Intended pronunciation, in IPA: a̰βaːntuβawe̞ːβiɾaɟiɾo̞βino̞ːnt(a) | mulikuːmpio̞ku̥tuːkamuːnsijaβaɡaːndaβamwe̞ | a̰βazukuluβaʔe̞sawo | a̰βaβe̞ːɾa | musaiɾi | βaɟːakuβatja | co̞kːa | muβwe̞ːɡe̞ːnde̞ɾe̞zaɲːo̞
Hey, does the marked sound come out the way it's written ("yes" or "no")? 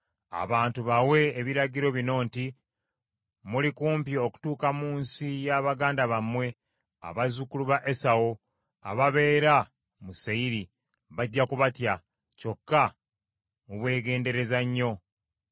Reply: no